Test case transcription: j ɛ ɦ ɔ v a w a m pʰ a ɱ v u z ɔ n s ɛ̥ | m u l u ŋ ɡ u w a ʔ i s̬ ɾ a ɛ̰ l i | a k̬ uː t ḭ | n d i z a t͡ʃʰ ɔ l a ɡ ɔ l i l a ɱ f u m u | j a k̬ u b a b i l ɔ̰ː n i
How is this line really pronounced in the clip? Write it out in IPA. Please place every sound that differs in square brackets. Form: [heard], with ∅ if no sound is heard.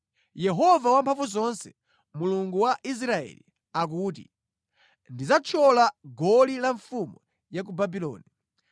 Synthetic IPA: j ɛ ɦ ɔ v a w a m pʰ a ɱ v u z ɔ n s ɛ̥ | m u l u ŋ ɡ u w a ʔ i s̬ ɾ a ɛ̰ l i | a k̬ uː t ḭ | n d i z a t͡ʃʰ ɔ l a ɡ ɔ l i l a ɱ f u m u | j a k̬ u b a b i l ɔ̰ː n i

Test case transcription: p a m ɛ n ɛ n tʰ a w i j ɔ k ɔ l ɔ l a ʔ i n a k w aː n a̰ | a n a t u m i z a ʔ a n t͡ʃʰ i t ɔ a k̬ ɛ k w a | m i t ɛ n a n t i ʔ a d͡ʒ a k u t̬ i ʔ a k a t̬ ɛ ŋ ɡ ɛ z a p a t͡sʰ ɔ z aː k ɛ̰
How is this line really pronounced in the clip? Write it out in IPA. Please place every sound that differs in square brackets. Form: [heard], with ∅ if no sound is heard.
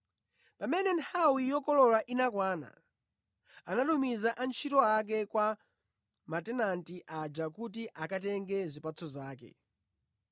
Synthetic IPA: p a m ɛ n ɛ n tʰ a w i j ɔ k ɔ l ɔ l a ʔ i n a k w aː n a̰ | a n a t u m i z a ʔ a n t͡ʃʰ i t ɔ a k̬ ɛ k w a | m [a] t ɛ n a n t i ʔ a d͡ʒ a k u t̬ i ʔ a k a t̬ ɛ ŋ ɡ ɛ z [i] p a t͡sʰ ɔ z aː k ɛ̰

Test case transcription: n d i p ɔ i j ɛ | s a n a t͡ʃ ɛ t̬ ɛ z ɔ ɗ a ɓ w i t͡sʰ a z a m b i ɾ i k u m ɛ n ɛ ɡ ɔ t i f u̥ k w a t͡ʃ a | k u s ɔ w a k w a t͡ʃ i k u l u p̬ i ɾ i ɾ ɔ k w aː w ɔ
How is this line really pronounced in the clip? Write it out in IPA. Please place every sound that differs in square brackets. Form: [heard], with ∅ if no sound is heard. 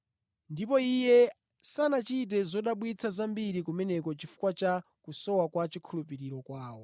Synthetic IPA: n d i p ɔ i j ɛ | s a n a t͡ʃ [i] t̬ ɛ z ɔ ɗ a ɓ w i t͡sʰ a z a m b i ɾ i k u m ɛ n ɛ [k] ɔ [t͡ʃ] i f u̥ k w a t͡ʃ a | k u s ɔ w a k w a t͡ʃ i [kʰ] u l u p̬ i ɾ i ɾ ɔ k w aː w ɔ

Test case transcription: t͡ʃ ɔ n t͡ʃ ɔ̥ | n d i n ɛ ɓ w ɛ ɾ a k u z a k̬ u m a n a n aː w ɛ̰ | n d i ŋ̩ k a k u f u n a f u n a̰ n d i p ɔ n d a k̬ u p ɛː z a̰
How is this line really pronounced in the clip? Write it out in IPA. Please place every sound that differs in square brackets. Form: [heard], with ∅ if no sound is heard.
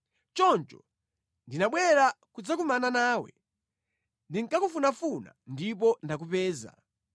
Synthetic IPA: t͡ʃ ɔ n t͡ʃ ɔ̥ | n d i n [a] ɓ w ɛ ɾ a k u [d͡z] a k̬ u m a n a n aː w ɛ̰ | n d i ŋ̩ k a k u f u n a f u n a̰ n d i p ɔ n d a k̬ u p ɛː z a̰

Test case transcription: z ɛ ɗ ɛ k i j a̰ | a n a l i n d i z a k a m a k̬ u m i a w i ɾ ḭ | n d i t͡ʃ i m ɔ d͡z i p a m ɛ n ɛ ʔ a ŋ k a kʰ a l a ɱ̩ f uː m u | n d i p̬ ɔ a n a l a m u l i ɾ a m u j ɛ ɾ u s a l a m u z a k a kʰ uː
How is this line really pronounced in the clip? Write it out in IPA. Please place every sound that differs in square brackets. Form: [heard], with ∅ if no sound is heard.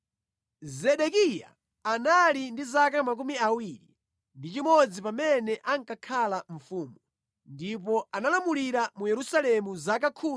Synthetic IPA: z ɛ ɗ ɛ k i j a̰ | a n a l i n d i z a k a m a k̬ u m i a w i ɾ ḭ | n d i t͡ʃ i m ɔ d͡z i p a m ɛ n ɛ ʔ a ŋ k a kʰ a l a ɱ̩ f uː m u | n d i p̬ ɔ a n a l a m u l i ɾ a m u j ɛ ɾ u s a l [ɛ] m u z a k a kʰ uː

